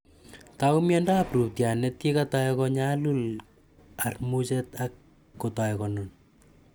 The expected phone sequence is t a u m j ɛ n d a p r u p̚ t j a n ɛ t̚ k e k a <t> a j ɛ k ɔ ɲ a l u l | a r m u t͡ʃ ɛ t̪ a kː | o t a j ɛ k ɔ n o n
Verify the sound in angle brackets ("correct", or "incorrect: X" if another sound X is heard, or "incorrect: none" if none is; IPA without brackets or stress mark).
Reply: correct